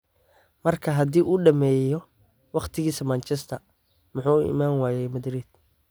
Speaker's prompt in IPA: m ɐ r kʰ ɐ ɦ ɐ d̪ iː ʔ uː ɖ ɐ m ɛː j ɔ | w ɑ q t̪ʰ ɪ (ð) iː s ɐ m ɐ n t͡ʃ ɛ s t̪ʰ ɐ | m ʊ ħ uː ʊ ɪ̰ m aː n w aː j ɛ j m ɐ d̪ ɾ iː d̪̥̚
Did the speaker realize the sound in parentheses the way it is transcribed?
no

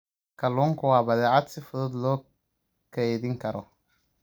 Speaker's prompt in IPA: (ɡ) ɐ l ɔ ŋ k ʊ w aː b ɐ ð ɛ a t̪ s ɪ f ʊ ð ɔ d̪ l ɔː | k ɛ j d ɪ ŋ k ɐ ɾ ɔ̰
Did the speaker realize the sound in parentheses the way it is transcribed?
no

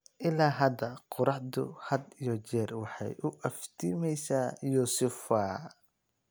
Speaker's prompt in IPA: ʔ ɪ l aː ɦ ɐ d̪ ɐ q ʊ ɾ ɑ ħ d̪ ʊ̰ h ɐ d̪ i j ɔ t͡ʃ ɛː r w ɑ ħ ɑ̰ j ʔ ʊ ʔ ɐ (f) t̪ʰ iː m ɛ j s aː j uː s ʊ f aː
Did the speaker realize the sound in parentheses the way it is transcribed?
yes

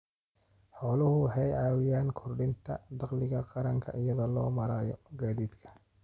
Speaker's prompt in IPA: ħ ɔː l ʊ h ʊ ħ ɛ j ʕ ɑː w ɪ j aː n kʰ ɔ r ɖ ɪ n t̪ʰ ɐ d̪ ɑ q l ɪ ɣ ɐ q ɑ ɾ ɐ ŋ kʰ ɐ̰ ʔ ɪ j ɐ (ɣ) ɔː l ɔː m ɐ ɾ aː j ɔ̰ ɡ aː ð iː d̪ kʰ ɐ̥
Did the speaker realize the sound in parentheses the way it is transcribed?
no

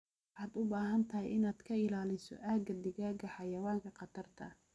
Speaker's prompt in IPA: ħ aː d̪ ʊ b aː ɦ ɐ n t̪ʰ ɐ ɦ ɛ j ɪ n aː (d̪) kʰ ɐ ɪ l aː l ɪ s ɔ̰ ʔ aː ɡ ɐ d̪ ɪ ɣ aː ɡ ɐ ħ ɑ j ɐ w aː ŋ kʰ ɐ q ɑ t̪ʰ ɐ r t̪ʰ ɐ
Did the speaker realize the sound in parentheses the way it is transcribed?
yes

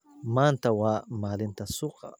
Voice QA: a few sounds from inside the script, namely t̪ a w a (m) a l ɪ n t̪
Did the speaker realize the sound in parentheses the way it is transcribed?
yes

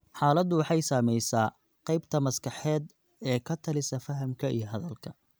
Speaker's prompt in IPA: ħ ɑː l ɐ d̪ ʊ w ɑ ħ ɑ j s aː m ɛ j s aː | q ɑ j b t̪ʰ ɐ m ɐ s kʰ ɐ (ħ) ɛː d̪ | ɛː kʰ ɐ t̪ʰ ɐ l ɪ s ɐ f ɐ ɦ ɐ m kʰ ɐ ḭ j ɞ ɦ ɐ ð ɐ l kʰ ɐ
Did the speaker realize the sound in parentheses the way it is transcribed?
yes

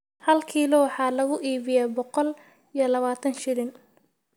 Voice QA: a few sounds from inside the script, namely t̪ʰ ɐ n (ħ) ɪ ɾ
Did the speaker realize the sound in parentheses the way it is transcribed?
no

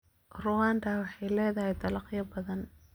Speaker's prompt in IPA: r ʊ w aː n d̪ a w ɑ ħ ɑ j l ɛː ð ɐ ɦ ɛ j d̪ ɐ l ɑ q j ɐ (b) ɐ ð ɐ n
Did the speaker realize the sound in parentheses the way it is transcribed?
yes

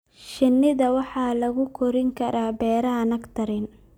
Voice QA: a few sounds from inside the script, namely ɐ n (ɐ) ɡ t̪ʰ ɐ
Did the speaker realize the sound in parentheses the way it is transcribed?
yes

